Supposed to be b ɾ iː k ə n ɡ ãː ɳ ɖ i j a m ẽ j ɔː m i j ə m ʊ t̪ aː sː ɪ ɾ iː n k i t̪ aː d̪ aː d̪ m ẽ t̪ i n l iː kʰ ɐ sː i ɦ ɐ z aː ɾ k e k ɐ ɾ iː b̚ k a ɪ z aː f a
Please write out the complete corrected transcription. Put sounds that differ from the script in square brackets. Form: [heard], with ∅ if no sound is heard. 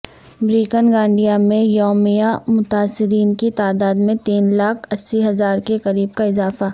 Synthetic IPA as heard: b ɾ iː k ə n ɡ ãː ɳ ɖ i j a m ẽ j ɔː m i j [a] m ʊ t̪ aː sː ɪ ɾ iː n k i t̪ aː d̪ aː d̪ m ẽ t̪ [iː] n l [aː] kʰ ɐ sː i ɦ ɐ z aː ɾ k e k ɐ ɾ iː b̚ k a ɪ z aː f a